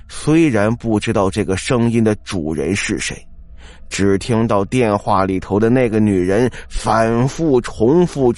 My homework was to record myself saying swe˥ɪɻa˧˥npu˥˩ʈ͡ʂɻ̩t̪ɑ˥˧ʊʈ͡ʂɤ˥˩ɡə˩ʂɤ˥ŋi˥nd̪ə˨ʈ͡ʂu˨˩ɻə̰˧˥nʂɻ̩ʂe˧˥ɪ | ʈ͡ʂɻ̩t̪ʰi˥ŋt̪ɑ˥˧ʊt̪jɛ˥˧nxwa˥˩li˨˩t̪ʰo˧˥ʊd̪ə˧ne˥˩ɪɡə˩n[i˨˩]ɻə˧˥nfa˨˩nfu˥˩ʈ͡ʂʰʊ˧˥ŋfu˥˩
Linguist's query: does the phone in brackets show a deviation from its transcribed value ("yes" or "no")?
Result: yes